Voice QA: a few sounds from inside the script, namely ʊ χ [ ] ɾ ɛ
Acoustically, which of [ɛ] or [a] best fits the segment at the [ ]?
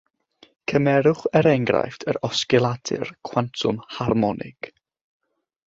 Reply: ɛ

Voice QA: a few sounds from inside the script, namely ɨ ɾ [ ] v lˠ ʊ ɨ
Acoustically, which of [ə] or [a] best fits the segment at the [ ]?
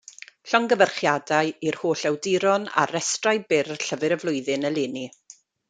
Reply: ə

